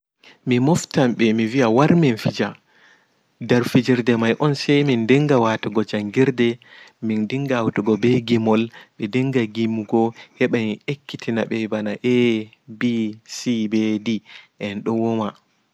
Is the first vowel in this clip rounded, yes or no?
no